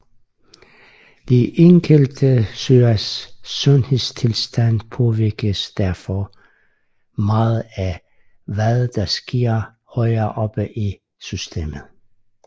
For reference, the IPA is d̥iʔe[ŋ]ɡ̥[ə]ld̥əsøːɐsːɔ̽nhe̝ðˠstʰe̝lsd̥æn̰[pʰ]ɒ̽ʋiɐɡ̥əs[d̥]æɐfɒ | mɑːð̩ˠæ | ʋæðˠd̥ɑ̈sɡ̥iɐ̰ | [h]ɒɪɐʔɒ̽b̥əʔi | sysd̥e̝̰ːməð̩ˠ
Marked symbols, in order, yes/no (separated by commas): yes, yes, yes, yes, yes